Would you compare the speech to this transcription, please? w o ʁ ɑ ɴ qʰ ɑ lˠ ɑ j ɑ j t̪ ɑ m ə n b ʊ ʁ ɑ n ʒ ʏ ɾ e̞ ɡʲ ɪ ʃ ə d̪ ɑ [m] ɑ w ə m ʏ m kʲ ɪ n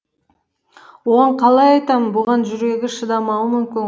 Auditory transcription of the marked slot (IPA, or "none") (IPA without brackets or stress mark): m